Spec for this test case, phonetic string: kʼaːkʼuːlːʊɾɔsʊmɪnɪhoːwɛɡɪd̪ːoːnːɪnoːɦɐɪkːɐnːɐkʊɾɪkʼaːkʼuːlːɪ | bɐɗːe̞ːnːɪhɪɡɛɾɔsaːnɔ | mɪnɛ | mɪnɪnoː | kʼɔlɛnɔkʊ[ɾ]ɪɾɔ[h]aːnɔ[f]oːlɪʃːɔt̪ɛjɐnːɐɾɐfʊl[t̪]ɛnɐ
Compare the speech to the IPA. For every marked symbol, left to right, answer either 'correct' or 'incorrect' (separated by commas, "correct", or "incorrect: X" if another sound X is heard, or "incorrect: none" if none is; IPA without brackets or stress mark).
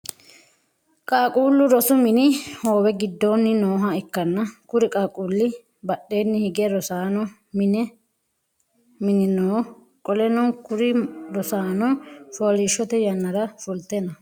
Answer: correct, incorrect: s, correct, correct